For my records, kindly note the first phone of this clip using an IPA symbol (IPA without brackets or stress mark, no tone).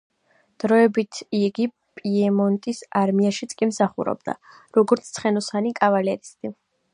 d̪̥